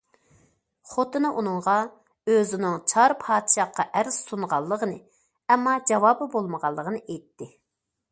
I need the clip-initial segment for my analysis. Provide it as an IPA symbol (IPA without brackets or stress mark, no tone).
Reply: χ